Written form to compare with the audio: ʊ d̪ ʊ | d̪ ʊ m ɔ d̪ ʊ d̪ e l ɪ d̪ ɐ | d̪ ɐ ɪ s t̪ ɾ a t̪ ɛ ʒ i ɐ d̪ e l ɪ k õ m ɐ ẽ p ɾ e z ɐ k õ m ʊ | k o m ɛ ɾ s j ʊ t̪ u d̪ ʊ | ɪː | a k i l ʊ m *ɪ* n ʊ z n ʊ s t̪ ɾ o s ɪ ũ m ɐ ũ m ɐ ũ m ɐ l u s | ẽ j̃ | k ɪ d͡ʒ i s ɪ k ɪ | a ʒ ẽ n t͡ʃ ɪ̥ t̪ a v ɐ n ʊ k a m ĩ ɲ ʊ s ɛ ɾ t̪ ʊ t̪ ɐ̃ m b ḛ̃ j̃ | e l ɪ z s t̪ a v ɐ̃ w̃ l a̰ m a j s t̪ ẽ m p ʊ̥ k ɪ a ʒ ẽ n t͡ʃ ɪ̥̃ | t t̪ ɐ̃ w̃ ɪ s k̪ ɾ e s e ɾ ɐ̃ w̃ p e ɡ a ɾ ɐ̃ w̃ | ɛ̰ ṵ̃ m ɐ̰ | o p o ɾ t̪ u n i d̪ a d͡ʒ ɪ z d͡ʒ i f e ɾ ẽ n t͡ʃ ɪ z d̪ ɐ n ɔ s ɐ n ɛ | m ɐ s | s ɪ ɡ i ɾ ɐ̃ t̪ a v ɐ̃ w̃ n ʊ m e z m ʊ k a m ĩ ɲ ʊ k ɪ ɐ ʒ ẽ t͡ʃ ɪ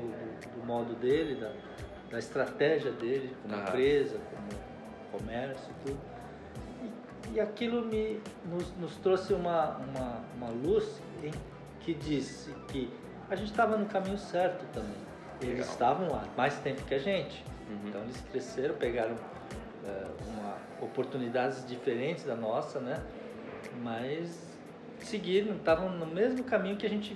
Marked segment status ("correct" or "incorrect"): correct